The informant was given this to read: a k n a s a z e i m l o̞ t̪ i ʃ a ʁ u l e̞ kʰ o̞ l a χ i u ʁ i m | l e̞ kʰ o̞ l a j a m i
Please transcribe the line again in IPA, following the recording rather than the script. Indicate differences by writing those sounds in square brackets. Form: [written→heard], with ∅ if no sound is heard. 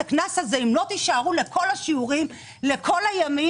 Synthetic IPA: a k n a s a z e i m l o̞ t̪ i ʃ a ʁ u l e̞ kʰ o̞ l a [χ→ʃ] i u ʁ i m | l e̞ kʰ o̞ l a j a m i

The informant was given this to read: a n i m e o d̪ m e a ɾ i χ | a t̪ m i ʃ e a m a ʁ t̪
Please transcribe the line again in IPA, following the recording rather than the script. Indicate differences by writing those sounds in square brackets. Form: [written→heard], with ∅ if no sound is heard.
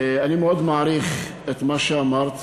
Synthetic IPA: a n i m e o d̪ m [e→a] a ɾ i χ | [a→e] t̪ m [i→a] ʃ e a m a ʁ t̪

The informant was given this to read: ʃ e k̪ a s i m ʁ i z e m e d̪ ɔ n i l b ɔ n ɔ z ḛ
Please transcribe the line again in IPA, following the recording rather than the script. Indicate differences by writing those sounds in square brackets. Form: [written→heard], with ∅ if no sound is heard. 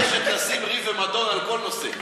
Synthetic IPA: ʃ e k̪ a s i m ʁ i [z→v] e m [e→a] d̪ ɔ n [i→a] l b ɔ n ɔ [z→s] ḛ

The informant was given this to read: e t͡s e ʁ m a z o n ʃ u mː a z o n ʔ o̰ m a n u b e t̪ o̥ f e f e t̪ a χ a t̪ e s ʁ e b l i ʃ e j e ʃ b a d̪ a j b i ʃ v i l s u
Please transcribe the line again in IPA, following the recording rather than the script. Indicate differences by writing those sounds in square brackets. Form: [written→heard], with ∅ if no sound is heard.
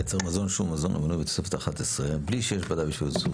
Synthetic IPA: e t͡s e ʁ m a z o n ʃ u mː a z o n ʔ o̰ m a n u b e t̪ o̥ [f→s] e f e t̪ a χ a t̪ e s ʁ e b l i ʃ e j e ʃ b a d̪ a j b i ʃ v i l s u

